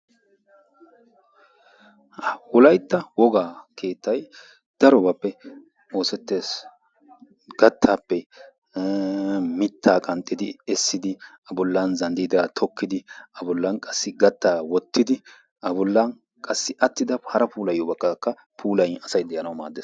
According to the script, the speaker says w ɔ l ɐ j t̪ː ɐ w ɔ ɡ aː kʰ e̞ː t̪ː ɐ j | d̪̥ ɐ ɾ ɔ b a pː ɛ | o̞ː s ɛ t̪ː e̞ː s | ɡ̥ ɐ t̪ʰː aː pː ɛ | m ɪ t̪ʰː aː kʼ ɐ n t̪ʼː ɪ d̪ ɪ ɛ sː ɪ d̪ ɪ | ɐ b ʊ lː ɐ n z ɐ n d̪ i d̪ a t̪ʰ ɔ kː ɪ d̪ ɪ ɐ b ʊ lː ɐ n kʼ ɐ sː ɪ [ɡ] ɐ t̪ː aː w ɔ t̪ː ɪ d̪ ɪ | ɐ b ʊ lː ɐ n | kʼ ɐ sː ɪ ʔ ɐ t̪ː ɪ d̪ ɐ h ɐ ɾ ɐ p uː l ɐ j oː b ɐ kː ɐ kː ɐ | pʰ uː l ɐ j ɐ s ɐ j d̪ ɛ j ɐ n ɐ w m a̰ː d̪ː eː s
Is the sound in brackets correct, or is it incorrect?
correct